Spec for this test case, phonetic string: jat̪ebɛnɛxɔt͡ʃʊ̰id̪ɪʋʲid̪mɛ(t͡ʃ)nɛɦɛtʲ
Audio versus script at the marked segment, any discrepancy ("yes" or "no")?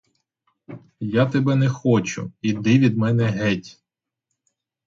yes